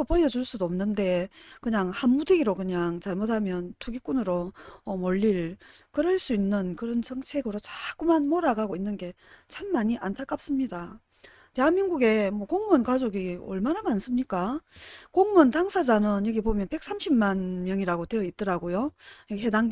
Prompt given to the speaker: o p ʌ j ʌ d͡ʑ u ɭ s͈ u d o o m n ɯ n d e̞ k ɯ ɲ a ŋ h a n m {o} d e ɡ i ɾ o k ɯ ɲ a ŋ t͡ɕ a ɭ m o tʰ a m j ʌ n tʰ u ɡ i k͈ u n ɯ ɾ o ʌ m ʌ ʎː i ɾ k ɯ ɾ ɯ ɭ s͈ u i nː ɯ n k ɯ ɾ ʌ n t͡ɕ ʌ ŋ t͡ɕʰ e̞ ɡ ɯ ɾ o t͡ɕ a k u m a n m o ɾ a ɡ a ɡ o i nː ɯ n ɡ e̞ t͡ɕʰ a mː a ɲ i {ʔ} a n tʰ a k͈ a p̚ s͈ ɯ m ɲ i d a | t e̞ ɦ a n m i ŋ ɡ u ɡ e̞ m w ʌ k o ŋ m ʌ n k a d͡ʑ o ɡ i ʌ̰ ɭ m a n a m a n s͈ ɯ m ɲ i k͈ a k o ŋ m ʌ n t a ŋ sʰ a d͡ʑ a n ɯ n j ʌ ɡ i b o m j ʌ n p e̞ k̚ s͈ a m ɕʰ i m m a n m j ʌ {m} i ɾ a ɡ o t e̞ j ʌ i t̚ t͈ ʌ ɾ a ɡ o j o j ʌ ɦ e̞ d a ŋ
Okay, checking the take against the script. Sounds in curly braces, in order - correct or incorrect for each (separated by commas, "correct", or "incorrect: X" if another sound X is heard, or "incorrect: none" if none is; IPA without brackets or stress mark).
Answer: incorrect: u, correct, incorrect: ŋ